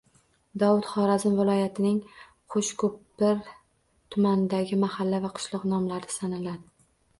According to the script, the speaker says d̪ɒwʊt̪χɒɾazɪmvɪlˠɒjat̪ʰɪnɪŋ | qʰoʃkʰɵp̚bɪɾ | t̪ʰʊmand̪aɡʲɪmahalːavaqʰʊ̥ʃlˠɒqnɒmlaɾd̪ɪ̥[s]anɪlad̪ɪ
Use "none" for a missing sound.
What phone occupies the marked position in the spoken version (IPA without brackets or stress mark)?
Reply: s